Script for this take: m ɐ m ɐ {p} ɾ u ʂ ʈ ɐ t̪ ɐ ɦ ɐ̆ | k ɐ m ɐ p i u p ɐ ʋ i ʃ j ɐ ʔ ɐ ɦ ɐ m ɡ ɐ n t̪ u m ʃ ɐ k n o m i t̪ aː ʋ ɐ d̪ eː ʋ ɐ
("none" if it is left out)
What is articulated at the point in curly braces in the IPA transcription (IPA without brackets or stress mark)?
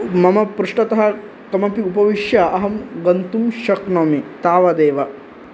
p